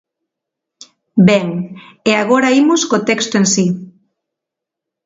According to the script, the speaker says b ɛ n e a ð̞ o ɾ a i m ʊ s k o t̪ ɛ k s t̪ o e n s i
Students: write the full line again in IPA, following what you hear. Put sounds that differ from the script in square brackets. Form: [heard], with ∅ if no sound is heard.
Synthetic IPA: b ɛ [ŋ] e a [ɣ̞] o ɾ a i m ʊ s k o t̪ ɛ k s t̪ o e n s i